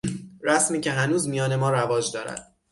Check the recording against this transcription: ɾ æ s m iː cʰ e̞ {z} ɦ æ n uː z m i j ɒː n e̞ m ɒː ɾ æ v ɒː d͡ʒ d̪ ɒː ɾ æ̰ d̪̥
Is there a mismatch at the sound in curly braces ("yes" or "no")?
yes